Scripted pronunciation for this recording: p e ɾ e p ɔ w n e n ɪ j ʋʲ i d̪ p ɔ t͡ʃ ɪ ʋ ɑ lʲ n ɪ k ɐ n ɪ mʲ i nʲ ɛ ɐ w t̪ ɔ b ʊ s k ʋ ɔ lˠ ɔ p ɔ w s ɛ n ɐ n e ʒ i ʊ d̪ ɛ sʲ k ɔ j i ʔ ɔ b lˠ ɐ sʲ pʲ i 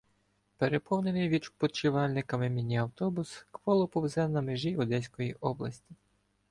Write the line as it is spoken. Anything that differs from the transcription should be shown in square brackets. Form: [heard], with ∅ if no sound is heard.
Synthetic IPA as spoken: p e ɾ e p ɔ w n e n ɪ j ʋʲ i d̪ p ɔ t͡ʃ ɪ ʋ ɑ lʲ n ɪ k ɐ [m] ɪ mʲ i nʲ [i] ɐ w t̪ ɔ b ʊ s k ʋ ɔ lˠ ɔ p ɔ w [z] ɛ n ɐ [m] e ʒ i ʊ d̪ ɛ sʲ k ɔ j i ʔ ɔ b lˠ ɐ sʲ [tʲ] i